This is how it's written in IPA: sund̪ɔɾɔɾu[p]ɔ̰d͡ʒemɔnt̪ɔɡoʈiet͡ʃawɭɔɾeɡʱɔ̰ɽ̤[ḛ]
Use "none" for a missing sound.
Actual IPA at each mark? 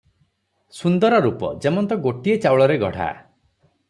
p, a̰

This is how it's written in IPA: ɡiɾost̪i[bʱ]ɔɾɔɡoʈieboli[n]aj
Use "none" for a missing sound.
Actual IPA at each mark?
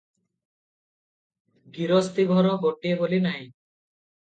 ɡʱ, n

